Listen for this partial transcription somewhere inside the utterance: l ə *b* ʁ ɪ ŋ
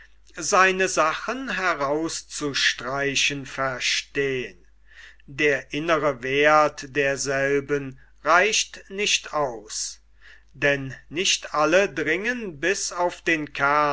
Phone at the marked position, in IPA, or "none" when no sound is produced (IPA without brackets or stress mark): d